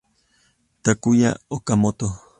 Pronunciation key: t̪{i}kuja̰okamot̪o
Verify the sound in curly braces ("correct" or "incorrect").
incorrect